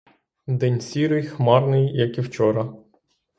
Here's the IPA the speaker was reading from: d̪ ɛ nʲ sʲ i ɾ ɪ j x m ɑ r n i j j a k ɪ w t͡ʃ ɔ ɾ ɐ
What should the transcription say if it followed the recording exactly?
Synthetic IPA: d̪ ɛ nʲ sʲ i ɾ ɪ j x m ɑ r n ɪ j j ɐ k i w t͡ʃ ɔ ɾ ɐ